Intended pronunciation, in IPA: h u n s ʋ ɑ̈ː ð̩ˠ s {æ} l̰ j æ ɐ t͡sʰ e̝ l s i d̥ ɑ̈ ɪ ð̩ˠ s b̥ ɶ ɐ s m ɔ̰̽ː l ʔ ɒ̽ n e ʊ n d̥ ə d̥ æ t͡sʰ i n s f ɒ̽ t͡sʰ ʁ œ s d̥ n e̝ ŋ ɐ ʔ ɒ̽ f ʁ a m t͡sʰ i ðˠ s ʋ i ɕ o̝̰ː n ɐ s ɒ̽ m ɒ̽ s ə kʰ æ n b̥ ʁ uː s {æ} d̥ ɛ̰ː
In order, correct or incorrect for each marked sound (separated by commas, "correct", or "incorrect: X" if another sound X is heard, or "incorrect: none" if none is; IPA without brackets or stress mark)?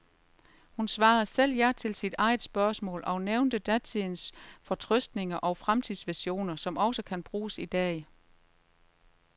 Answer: incorrect: e, incorrect: i